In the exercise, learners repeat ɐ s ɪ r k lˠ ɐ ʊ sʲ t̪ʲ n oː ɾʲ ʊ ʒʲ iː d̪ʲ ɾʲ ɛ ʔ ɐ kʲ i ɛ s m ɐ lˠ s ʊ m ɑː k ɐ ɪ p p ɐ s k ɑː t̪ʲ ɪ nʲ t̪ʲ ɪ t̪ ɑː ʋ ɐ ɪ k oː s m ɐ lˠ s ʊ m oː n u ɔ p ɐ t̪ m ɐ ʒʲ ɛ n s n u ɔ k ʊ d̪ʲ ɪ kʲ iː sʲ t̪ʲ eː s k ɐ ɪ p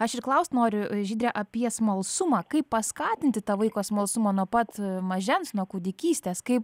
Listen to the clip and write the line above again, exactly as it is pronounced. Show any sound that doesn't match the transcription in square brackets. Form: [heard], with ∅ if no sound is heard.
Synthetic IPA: ɐ [ʃ] ɪ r k lˠ ɐ ʊ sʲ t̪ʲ n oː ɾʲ ʊ ʒʲ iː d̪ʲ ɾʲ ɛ ʔ ɐ [pʲ] i ɛ s m ɐ lˠ s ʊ m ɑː k ɐ ɪ p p ɐ s k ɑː t̪ʲ ɪ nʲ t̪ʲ ɪ t̪ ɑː ʋ ɐ ɪ k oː s m ɐ lˠ s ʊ m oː n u ɔ p ɐ t̪ m ɐ ʒʲ ɛ n s n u ɔ k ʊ d̪ʲ ɪ kʲ iː sʲ t̪ʲ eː s k ɐ ɪ p